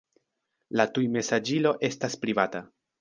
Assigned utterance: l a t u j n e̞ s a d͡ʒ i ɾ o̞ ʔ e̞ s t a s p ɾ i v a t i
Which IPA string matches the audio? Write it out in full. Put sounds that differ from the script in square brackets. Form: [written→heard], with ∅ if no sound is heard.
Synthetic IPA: l a t u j [n→m] e̞ s a d͡ʒ i [ɾ→l] o̞ ʔ e̞ s t a s p ɾ i v a t [i→a]